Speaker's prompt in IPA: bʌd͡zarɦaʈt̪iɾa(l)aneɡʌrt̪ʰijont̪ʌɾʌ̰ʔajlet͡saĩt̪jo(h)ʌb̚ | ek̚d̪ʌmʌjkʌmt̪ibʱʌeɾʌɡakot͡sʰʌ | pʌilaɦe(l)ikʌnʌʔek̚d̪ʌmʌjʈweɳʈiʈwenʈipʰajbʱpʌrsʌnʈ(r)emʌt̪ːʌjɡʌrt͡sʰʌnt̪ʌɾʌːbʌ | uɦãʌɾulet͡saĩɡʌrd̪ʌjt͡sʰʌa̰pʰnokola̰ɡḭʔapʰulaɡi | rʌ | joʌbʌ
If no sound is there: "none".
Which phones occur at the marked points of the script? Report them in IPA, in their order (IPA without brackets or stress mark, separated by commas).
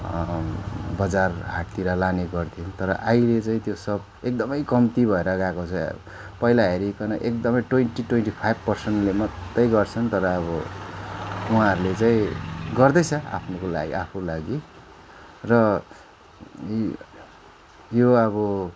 l, s, ɾ, l